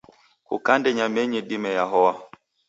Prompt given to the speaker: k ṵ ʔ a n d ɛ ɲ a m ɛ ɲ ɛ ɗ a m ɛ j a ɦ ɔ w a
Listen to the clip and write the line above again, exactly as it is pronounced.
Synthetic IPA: k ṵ k a n d ɛ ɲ a m ɛ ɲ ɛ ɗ i m ɛ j a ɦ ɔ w a